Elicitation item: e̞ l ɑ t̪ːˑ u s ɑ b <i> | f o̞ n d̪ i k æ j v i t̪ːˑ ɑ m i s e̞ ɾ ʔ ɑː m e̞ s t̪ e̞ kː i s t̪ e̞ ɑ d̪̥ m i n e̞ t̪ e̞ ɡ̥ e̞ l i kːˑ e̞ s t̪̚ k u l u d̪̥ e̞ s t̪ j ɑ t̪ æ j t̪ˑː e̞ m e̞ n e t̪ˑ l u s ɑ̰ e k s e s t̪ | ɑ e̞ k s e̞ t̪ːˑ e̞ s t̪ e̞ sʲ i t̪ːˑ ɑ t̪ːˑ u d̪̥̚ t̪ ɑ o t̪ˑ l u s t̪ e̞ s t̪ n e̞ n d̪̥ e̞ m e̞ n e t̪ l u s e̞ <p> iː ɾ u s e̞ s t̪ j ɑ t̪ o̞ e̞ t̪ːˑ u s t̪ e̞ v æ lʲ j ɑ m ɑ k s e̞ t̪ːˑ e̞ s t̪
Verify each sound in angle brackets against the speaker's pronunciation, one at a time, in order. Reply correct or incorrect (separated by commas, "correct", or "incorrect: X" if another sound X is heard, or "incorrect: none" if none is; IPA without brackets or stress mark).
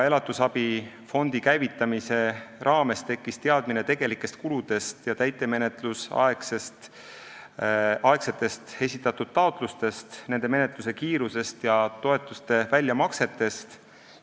correct, incorrect: k